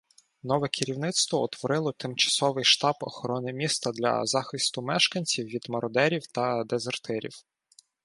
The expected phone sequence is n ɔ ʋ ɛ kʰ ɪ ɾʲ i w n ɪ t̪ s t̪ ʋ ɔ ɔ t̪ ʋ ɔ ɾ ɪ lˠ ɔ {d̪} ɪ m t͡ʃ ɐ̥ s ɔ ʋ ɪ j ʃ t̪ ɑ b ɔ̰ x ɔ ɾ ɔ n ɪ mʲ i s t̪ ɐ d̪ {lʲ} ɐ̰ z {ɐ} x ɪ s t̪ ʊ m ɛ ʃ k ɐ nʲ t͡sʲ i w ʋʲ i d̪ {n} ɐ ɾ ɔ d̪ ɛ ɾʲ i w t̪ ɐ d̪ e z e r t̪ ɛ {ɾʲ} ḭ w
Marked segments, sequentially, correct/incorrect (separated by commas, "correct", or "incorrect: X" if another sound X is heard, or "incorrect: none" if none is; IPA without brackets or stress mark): incorrect: t̪, correct, incorrect: ɑ, incorrect: m, correct